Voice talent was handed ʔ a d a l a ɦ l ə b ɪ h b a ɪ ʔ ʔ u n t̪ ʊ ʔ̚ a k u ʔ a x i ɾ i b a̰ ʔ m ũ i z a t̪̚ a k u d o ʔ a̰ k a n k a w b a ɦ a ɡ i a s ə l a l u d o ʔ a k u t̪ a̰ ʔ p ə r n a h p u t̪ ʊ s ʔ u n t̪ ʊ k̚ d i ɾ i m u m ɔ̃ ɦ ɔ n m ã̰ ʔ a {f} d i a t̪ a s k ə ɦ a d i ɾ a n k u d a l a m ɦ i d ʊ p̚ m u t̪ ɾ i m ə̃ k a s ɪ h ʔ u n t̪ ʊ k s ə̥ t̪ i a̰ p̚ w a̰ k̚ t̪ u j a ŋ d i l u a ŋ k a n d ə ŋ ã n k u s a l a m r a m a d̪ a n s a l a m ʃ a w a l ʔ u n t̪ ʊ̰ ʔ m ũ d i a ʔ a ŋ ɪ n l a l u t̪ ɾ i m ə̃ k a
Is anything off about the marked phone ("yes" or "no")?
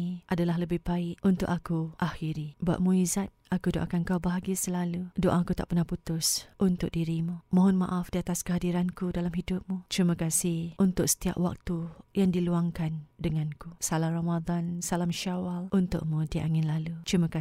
no